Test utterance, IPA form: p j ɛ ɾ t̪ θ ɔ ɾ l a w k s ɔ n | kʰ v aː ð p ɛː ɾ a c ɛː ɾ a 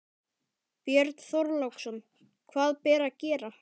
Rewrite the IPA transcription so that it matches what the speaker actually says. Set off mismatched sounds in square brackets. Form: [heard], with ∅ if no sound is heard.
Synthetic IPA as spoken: p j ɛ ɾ t̪ θ ɔ ɾ l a w k s ɔ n | kʰ v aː ð p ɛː ɾ a c ɛː ɾ a

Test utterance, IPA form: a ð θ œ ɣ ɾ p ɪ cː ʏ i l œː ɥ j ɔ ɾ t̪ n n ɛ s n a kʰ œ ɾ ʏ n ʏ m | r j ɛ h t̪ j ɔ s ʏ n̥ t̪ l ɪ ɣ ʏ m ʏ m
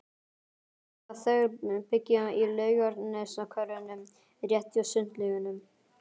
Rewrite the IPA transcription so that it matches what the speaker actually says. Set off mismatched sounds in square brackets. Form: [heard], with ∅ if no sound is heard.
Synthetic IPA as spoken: a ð θ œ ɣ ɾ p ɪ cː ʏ i l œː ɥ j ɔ ɾ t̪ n n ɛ s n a kʰ œ ɾ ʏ n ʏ m | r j ɛ h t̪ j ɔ s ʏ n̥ t̪ l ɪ ɣ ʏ [n] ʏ m

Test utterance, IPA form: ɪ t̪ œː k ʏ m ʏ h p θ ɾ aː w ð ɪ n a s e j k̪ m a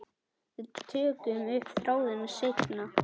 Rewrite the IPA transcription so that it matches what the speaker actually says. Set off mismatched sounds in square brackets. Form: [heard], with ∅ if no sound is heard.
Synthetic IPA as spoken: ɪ [t̪ʰ] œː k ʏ m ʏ h p θ ɾ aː w ð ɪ n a s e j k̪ [n] a

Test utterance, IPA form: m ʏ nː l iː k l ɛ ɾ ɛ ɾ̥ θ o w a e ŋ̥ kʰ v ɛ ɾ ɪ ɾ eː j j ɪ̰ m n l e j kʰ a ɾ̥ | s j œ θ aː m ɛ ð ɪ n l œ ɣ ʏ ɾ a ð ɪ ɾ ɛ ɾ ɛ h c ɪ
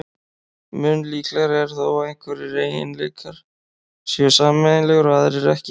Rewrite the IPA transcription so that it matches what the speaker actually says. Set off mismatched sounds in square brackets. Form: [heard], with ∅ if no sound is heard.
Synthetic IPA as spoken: m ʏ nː l iː k l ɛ ɾ ɛ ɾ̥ θ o w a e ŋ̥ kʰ v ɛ ɾ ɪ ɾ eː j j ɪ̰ [∅] n l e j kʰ a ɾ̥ | s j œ [s] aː m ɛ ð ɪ n l [ɛ] ɣ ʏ ɾ a ð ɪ ɾ ɛ ɾ ɛ h c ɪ

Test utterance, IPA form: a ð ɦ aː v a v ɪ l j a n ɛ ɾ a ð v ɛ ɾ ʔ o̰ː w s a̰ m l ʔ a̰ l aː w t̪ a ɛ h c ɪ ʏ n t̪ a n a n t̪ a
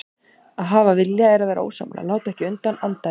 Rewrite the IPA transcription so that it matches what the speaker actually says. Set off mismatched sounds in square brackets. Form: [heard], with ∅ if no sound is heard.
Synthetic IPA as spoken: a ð ɦ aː v a v ɪ l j a [∅] ɛ ɾ a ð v ɛ ɾ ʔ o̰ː w s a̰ m l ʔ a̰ l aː w t̪ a ɛ h c ɪ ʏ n t̪ a n a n t̪ a

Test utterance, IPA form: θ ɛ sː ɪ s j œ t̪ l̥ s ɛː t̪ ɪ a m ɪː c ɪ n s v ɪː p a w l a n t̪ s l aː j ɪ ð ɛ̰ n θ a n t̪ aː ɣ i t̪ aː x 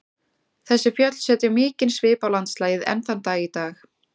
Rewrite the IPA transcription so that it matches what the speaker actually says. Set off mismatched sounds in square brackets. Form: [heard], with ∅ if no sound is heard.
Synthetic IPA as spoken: θ ɛ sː ɪ [f] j œ t̪ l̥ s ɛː t̪ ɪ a m ɪː c ɪ n s v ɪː p a w l a n t̪ s l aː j ɪ ð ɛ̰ n θ a n t̪ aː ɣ i t̪ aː x

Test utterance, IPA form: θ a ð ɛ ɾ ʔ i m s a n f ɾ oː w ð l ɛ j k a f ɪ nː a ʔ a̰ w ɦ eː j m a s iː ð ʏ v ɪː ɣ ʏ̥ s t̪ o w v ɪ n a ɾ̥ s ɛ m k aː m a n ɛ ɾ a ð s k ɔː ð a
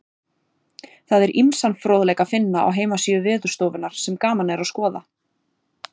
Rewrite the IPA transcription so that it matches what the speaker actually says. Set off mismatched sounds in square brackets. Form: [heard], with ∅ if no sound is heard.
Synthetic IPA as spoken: θ a ð ɛ ɾ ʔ i m s a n f ɾ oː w ð l ɛ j k a f ɪ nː a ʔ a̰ w ɦ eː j m a s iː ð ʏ v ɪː [ð] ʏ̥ s t̪ o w v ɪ n a ɾ̥ s ɛ m k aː m a n ɛ ɾ a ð s k ɔː ð a

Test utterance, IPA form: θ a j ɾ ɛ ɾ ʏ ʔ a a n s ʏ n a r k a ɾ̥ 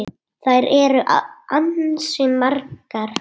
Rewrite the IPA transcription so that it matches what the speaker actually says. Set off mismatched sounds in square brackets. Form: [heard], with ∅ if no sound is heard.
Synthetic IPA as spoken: θ a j ɾ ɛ ɾ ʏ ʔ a a n s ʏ [m] a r k a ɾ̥

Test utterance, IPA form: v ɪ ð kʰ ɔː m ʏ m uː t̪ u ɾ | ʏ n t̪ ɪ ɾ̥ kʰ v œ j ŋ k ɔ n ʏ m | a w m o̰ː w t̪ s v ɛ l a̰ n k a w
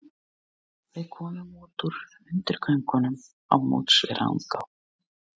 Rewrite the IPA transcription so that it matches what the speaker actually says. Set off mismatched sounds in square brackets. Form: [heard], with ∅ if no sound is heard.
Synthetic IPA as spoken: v ɪ ð kʰ ɔː m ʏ m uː t̪ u ɾ | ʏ n t̪ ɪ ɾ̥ kʰ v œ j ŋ k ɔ n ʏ m | a w m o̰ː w t̪ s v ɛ [ɾ] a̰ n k a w

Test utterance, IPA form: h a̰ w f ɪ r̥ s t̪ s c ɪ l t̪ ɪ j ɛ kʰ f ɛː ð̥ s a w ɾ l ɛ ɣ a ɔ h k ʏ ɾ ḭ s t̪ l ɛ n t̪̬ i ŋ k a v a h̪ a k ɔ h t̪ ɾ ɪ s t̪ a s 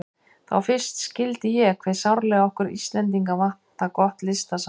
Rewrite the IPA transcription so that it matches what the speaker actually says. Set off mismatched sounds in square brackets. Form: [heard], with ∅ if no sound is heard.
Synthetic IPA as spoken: [θ] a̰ w f ɪ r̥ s t̪ s c ɪ l t̪ ɪ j ɛ kʰ [v] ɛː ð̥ s a w ɾ l ɛ ɣ a ɔ h k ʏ ɾ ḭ s t̪ l ɛ n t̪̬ i ŋ k a v a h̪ a k ɔ h t̪ [l] ɪ s t̪ a s

